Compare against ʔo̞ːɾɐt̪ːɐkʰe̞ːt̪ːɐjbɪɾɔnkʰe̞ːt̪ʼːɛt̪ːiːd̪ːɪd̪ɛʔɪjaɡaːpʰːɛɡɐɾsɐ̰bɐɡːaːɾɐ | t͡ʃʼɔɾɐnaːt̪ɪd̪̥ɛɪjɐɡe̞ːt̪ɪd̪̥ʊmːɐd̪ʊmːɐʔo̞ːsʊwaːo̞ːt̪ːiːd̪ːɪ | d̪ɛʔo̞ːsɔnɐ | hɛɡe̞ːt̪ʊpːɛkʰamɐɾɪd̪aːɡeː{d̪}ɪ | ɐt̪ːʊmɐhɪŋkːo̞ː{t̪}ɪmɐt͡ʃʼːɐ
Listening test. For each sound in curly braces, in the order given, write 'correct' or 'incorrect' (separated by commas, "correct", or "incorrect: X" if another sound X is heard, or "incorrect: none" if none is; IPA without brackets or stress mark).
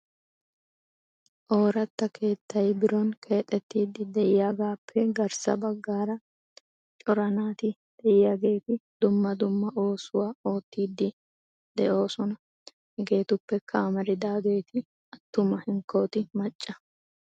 incorrect: t̪, correct